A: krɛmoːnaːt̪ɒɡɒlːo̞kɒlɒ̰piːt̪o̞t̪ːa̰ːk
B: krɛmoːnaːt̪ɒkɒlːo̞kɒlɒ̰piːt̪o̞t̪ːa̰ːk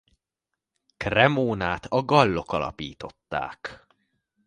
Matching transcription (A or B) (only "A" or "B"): A